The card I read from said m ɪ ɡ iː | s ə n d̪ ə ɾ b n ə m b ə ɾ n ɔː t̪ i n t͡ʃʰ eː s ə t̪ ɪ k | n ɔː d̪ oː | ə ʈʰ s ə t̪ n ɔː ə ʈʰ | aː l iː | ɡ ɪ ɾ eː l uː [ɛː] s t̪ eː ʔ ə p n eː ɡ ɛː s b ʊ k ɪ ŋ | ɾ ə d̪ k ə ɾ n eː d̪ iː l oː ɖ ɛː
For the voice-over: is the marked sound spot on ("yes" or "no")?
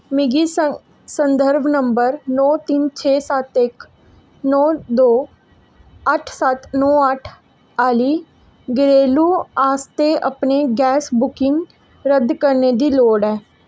no